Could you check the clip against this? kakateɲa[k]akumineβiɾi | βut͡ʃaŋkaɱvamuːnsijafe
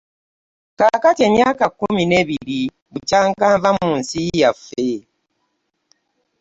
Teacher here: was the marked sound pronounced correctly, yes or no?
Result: yes